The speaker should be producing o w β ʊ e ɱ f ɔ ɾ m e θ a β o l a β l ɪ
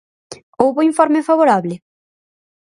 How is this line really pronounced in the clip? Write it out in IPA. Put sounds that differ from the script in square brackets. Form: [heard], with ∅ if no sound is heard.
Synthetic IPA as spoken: o w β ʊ [i] ɱ f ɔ ɾ m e [f] a β o [ɾ] a β l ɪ